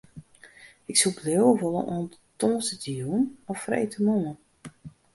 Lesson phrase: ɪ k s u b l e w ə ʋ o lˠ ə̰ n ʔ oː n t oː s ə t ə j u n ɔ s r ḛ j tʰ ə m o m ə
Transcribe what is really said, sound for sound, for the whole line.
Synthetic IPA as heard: ɪ k s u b l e w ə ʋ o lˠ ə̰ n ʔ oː n t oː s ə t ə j u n ɔ f r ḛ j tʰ ə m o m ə